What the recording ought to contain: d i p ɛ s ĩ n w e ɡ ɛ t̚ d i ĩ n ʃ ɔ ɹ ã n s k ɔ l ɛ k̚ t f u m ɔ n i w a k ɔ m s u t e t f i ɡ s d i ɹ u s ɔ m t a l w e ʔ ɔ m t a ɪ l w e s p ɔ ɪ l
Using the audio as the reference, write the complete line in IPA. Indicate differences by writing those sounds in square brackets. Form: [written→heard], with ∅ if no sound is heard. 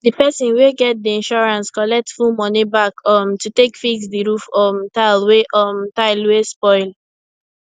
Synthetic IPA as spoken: d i p ɛ s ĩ n w e ɡ ɛ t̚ d i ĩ n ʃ ɔ ɹ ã n s k ɔ l ɛ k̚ t f u m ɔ n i [w→b] a k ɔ m [s→t] u t e [t→k] f i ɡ s d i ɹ u [s→f] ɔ m t a l w e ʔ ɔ m t a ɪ l w e s p ɔ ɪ l